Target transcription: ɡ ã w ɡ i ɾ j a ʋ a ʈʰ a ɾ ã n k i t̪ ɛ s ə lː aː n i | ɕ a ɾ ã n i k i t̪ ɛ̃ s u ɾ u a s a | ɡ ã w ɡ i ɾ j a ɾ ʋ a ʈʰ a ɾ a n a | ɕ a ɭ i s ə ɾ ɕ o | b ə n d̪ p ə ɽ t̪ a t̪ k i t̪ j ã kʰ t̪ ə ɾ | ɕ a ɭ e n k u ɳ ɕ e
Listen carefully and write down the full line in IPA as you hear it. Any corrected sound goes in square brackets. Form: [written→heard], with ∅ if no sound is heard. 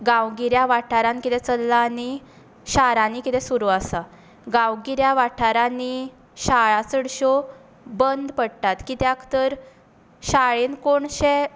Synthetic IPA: ɡ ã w ɡ i ɾ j a ʋ a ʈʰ a ɾ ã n k i t̪ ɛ [s→t͡s] ə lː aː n i | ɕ a ɾ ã n i k i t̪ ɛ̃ s u ɾ u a s a | ɡ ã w ɡ i ɾ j a [ɾ→∅] ʋ a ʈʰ a ɾ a n [a→i] | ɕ a ɭ [i→a] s ə [ɾ→ɽ] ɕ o | b ə n d̪ p ə ɽ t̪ a t̪ k i t̪ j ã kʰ t̪ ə ɾ | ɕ a ɭ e n k [u→o] ɳ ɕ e